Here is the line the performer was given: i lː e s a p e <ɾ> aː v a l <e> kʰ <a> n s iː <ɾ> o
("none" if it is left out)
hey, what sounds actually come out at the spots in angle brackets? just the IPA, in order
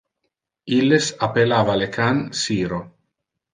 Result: l, e, a, ɾ

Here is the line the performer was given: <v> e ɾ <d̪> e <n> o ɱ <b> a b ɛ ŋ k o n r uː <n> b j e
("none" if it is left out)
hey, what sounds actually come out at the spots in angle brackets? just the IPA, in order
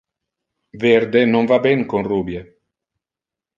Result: v, d̪, n, v, none

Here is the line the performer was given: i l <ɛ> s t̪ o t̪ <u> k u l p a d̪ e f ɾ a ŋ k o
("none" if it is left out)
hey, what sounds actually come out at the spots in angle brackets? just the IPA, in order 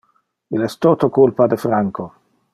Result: ɛ, o

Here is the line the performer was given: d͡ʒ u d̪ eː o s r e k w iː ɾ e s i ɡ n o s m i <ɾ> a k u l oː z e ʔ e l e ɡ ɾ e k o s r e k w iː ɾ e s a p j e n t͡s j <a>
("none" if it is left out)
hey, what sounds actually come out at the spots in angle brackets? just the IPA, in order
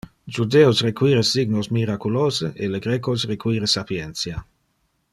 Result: ɾ, a

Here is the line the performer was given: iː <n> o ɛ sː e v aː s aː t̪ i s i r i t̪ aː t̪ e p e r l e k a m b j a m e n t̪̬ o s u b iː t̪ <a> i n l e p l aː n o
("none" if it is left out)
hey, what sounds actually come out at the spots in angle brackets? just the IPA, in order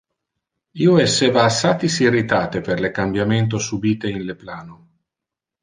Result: none, e

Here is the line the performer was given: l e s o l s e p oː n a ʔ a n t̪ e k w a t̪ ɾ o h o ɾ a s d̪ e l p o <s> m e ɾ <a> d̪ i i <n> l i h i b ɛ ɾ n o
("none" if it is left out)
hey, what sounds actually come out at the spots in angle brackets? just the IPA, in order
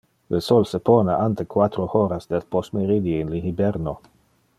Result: s, i, n

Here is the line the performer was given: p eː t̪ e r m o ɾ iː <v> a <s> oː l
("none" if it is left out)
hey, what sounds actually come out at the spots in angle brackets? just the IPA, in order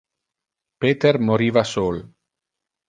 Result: v, s

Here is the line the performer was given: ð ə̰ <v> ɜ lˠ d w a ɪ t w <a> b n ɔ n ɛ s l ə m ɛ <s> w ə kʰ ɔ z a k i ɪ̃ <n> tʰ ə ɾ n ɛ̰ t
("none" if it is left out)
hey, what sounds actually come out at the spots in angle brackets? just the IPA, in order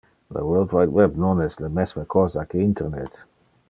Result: w, ɛ, s, n

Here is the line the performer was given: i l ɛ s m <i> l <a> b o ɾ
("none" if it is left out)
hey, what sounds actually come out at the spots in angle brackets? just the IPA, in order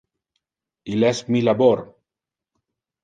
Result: i, a

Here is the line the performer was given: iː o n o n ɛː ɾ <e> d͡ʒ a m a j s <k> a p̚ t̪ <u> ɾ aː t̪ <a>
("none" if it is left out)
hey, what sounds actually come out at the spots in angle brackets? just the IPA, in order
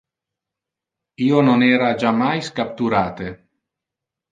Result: a, k, u, e

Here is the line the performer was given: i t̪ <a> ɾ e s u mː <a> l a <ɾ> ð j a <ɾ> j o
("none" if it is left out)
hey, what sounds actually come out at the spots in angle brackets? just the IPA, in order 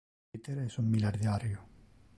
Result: e, i, ɾ, ɾ

